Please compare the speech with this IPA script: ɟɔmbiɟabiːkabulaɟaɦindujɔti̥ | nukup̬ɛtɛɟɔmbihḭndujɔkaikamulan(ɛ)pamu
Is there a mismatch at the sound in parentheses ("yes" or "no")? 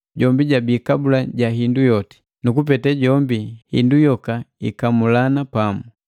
yes